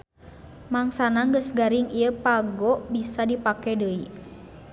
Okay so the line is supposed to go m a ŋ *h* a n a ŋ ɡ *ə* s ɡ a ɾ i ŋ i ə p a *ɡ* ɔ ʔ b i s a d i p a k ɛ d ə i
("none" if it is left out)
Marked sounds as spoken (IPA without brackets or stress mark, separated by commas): s, ə, ɡ